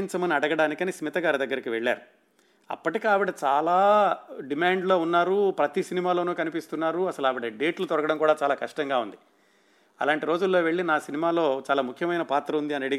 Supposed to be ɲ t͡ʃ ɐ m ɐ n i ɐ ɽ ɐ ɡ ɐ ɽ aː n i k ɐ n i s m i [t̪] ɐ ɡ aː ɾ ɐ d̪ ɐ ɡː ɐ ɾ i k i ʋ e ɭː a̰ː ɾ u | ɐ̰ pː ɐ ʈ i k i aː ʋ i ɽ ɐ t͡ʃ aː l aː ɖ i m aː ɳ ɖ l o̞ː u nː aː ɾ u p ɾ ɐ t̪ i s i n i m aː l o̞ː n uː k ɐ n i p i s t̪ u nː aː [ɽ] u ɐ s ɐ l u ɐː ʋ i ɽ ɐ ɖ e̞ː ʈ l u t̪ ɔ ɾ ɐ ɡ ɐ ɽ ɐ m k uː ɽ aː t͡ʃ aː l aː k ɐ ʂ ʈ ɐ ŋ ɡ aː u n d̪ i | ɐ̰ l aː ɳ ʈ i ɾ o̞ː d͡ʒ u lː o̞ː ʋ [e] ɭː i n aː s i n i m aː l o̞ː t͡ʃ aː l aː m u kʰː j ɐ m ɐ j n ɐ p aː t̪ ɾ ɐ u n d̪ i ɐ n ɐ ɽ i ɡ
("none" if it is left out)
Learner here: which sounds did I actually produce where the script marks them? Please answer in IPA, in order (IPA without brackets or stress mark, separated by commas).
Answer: t̪, ɾ, e